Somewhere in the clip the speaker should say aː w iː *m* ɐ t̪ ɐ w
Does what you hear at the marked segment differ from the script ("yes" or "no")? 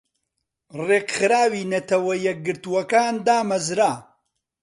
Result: yes